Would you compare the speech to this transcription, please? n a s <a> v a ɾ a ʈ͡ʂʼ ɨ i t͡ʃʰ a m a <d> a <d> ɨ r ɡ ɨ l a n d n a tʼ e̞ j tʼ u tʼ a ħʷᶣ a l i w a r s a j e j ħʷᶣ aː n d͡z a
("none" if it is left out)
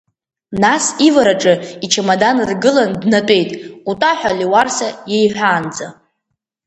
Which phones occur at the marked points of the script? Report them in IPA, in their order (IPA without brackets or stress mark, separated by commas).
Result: i, d, n